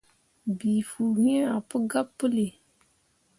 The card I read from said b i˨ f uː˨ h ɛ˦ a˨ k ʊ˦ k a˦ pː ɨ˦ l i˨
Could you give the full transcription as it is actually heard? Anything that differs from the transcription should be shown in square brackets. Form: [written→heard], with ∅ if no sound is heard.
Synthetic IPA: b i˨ f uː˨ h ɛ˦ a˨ [k→p] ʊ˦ [k→ɡ] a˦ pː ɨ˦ l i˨